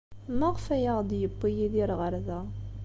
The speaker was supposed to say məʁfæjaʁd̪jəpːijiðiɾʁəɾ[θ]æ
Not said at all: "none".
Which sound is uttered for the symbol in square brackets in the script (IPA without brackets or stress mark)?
ð